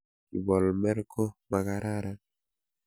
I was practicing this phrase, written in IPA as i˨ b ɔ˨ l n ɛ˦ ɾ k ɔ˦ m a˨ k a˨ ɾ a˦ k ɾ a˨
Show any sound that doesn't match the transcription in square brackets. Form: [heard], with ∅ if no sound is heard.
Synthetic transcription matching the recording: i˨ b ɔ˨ l [m] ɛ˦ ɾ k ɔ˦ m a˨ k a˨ ɾ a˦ [∅] ɾ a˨